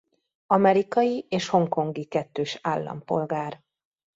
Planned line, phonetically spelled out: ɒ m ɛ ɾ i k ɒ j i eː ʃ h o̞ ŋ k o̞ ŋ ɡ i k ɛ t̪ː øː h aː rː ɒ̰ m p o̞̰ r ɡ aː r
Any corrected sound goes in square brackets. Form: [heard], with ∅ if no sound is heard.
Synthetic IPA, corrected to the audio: ɒ m ɛ ɾ i k ɒ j i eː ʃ h o̞ ŋ k o̞ ŋ ɡ i k ɛ t̪ː øː [ʃ] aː [lː] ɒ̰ m p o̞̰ [l] ɡ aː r